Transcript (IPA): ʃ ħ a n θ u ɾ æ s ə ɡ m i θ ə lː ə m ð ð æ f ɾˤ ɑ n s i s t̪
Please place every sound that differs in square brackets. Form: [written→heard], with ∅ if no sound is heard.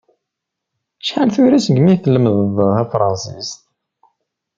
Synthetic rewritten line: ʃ ħ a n θ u ɾ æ s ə ɡ m i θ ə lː ə m ð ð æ f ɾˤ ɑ n s i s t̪